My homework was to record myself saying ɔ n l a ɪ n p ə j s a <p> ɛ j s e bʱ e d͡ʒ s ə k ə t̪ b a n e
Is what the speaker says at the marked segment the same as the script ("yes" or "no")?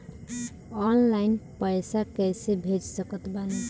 no